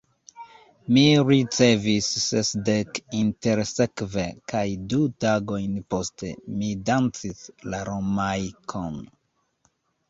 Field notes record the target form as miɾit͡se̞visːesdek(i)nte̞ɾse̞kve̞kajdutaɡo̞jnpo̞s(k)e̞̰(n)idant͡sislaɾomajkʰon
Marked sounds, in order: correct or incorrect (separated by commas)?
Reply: correct, incorrect, incorrect